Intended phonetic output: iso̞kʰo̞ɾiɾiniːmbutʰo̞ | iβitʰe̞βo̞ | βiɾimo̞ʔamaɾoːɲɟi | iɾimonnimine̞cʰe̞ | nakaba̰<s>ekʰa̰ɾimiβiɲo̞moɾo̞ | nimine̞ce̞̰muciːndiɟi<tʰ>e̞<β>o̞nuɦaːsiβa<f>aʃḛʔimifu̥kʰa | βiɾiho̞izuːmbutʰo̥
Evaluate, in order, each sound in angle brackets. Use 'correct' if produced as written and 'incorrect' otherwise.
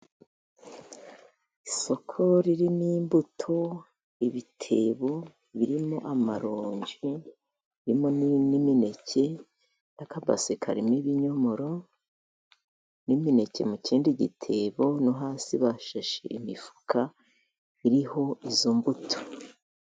correct, correct, correct, incorrect: ʃ

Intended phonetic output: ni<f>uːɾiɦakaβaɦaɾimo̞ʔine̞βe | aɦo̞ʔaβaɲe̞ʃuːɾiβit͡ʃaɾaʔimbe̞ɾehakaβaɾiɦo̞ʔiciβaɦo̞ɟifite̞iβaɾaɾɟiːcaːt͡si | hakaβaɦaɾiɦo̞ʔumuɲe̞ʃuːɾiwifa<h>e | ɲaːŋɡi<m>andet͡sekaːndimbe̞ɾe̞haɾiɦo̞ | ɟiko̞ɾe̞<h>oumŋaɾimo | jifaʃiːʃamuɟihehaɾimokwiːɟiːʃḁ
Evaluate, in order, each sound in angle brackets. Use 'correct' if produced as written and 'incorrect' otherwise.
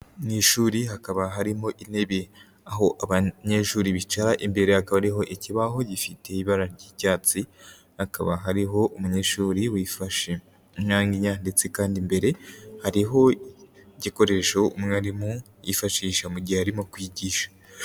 incorrect: ʃ, incorrect: ʃ, incorrect: ɲ, incorrect: ʃ

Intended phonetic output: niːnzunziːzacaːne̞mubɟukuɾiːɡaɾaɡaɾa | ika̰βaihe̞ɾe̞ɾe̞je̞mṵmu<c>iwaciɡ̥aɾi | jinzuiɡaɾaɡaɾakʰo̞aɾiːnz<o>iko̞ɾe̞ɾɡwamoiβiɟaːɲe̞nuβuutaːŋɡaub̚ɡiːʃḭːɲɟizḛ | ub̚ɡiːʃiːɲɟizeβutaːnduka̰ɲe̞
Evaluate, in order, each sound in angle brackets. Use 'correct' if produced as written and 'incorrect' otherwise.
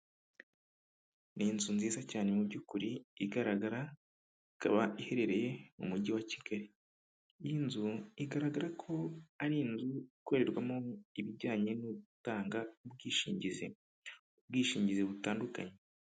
incorrect: ɟ, incorrect: u

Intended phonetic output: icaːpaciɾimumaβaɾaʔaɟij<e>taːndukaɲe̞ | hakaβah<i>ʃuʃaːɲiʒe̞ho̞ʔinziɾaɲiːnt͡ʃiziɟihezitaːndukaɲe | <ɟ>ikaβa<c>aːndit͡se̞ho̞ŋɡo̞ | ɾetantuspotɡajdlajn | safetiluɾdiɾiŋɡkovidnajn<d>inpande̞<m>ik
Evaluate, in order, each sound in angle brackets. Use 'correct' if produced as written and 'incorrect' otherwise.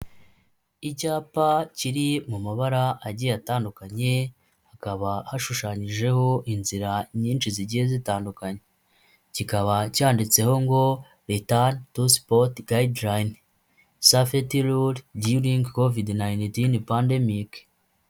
incorrect: a, incorrect: a, incorrect: c, correct, incorrect: t, correct

